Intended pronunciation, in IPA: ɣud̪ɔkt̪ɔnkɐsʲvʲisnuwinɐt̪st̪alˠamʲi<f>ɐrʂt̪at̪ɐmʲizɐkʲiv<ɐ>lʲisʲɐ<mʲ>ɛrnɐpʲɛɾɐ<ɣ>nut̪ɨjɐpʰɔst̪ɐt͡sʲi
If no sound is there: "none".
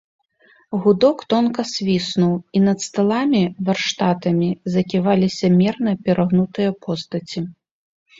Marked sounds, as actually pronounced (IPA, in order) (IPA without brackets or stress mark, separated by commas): v, a, mʲ, ɣ